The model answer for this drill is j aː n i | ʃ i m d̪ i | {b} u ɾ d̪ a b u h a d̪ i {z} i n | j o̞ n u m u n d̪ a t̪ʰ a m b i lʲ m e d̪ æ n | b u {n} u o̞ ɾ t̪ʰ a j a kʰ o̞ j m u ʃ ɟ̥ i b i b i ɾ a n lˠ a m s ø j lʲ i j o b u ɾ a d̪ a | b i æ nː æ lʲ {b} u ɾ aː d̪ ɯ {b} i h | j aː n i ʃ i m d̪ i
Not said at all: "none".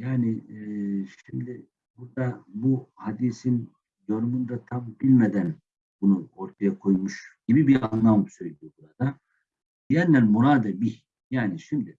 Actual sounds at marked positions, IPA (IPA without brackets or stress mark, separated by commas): b, s, n, m, b